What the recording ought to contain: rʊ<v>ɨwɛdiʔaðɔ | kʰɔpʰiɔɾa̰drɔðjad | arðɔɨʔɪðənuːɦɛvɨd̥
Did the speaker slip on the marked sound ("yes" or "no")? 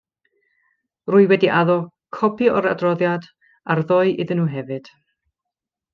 yes